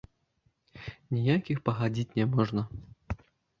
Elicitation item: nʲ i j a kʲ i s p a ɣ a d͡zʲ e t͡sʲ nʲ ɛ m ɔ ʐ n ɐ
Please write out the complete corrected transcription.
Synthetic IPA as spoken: nʲ i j a kʲ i x p ɐ ɣ a d͡zʲ i t͡sʲ nʲ ɛ m ɔ ʐ n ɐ